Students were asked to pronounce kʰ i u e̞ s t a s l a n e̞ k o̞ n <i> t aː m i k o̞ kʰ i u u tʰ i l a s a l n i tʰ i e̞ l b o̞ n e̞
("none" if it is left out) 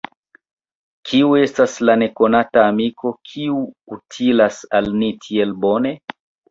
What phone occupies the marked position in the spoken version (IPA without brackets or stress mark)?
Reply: a